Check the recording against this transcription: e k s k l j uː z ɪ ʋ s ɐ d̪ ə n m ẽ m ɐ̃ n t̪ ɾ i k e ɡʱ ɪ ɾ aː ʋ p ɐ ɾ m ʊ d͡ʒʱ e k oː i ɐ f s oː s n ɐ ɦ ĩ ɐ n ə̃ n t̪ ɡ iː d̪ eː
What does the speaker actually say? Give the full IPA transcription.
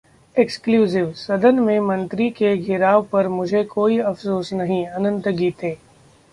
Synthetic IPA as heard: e k s k l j uː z ɪ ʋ s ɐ d̪ ə n m ẽ m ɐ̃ n t̪ ɾ i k e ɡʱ ɪ ɾ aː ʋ p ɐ ɾ m ʊ d͡ʒʱ e k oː i ɐ f s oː s n ɐ ɦ ĩ ɐ n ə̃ n t̪ ɡ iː t̪ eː